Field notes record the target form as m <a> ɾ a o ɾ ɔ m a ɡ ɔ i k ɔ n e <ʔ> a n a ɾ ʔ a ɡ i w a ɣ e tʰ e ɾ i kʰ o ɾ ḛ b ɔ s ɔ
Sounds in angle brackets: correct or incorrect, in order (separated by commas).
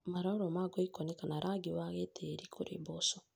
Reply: correct, incorrect